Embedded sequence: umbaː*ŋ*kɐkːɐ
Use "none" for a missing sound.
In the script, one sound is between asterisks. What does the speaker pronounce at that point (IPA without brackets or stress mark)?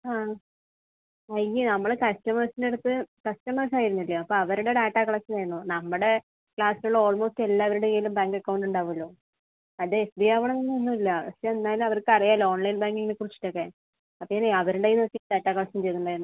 ŋ